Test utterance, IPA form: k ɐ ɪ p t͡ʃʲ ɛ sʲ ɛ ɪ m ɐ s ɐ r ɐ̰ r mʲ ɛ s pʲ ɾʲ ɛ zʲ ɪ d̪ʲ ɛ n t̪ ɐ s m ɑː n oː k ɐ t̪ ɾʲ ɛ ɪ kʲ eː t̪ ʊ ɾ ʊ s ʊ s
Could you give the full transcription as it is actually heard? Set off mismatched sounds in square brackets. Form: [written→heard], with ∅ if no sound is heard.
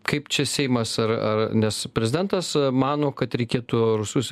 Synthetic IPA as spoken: k ɐ ɪ p t͡ʃʲ ɛ sʲ ɛ ɪ m ɐ s ɐ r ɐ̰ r [mʲ→nʲ] ɛ s pʲ ɾʲ ɛ zʲ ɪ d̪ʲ ɛ n t̪ ɐ s m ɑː n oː k ɐ t̪ ɾʲ ɛ ɪ kʲ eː t̪ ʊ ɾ ʊ s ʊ s